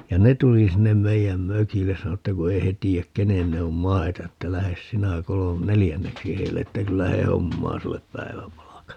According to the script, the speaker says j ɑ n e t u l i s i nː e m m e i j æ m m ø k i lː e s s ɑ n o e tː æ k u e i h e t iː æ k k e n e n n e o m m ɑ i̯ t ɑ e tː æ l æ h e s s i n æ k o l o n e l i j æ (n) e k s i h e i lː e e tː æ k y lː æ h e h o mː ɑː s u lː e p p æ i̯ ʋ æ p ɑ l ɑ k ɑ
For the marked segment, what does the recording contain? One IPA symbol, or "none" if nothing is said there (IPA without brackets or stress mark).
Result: nː